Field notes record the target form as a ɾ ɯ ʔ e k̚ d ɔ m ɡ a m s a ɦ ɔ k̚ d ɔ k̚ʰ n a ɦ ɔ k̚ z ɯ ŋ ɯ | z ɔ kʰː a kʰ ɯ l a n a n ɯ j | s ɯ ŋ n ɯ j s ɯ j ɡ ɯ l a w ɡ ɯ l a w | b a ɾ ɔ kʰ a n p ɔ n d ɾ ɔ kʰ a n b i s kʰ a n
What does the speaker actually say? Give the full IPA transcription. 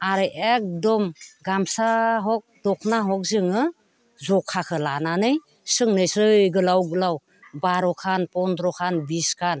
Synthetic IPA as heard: a ɾ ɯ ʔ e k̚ d ɔ m ɡ a m s a ɦ ɔ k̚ d ɔ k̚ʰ n a ɦ ɔ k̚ z ɯ ŋ ɯ | z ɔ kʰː a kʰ ɯ l a n a n ɯ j | s ɯ ŋ n ɯ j s ɯ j ɡ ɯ l a w ɡ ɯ l a w | b a ɾ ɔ kʰ a n p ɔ n d ɾ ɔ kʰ a n b i s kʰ a n